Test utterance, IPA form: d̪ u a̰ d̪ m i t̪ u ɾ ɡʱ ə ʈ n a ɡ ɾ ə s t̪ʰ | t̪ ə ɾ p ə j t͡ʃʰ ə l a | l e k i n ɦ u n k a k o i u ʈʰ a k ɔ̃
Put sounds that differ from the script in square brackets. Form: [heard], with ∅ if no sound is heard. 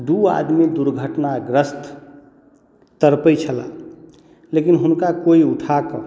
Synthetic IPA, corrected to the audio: d̪ u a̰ d̪ m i [d̪] u ɾ ɡʱ ə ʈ n a ɡ ɾ ə s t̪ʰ | t̪ ə ɾ p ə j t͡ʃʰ ə l a | l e k i n ɦ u n k a k o i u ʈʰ a k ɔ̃